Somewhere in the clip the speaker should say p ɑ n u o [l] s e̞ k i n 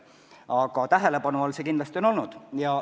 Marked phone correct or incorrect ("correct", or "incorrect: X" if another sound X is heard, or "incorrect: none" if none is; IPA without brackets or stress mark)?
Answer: correct